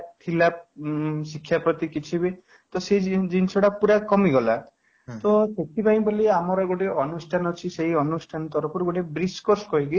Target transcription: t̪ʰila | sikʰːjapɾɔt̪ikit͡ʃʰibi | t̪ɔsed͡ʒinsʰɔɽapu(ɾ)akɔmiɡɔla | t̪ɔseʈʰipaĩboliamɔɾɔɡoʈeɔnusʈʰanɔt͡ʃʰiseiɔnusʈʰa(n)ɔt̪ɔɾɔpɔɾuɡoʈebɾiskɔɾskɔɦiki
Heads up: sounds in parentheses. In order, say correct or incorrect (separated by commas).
correct, correct